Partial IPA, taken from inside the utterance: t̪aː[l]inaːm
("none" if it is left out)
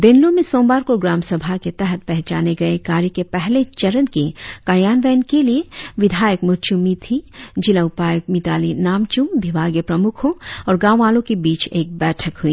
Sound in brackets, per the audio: l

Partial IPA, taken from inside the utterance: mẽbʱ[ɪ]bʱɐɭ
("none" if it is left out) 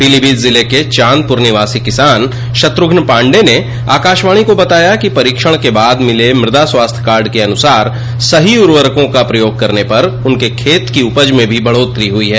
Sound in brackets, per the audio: i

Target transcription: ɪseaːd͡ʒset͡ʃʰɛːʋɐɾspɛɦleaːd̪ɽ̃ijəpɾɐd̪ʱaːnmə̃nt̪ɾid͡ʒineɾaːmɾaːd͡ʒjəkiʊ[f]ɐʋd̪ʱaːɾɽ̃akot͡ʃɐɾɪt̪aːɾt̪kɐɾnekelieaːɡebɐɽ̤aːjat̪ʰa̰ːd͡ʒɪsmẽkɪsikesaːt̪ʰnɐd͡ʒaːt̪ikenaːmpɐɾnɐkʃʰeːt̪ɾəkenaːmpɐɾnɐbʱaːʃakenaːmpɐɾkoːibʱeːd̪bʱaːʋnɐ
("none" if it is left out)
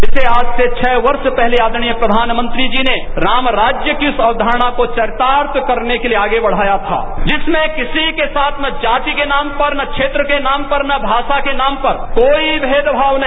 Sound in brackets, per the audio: s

